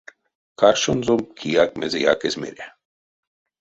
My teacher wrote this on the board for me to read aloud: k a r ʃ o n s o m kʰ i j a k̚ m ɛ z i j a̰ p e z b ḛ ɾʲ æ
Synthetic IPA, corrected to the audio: k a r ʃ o n z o m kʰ i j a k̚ m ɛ z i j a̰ k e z m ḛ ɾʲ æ